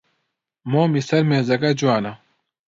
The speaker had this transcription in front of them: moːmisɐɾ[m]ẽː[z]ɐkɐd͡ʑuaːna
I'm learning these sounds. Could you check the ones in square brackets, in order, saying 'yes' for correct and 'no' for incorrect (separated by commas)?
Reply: yes, yes